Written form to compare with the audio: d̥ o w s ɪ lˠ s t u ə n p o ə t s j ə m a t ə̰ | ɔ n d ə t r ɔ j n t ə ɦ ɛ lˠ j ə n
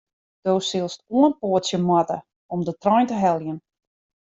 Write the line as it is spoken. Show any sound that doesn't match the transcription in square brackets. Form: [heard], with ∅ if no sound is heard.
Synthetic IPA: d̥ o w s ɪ lˠ s t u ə n p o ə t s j ə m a t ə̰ | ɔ [m] d ə t r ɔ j n t ə ɦ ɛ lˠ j ə n